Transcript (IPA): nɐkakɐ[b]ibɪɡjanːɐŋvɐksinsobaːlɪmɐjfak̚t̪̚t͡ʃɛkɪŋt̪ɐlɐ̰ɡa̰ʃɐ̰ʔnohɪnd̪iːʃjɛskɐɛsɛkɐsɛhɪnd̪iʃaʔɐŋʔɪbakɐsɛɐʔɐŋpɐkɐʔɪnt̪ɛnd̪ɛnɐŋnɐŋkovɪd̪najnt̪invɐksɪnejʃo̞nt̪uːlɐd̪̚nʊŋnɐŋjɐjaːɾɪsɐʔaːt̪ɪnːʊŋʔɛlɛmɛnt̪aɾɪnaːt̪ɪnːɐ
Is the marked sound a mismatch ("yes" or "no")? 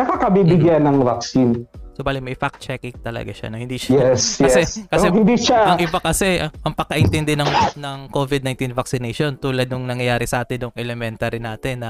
no